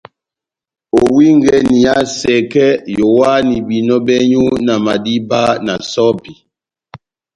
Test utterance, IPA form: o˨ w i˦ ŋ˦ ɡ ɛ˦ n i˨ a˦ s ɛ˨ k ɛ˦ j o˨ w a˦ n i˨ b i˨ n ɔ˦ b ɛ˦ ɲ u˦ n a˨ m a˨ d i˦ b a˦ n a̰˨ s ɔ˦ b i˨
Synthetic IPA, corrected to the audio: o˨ w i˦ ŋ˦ ɡ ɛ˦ n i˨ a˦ s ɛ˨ k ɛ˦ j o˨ w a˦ n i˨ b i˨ n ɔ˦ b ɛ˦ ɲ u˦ n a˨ m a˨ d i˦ b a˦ n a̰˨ s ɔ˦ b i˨